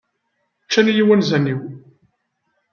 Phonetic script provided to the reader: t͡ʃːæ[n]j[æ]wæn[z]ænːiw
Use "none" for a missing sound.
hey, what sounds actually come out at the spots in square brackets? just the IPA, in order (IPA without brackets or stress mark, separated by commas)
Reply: n, i, z